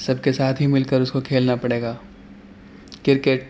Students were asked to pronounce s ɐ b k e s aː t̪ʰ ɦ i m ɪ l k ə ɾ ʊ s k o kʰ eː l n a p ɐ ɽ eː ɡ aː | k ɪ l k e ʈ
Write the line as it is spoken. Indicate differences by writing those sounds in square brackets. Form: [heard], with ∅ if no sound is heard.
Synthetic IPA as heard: s ɐ b k e s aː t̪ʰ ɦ i m ɪ l k ə ɾ ʊ s k o kʰ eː l n a p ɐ ɽ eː ɡ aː | k ɪ [ɾ] k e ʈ